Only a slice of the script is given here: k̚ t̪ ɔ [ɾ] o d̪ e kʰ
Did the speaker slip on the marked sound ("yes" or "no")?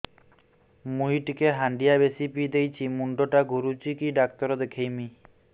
no